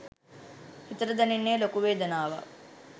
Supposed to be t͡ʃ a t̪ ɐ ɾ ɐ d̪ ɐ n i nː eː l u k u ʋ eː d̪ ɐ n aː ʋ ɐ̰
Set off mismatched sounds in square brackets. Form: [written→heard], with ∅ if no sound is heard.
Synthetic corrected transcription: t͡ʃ [a→i] t̪ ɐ ɾ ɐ d̪ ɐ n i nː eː l [u→o] k u ʋ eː d̪ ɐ n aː ʋ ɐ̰